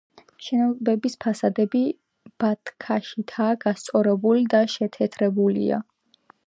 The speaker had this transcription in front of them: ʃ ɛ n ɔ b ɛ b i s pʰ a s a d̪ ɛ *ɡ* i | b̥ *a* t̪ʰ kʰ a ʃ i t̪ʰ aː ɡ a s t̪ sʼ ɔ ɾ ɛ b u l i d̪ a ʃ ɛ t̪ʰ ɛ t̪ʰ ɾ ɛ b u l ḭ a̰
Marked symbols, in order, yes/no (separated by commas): no, yes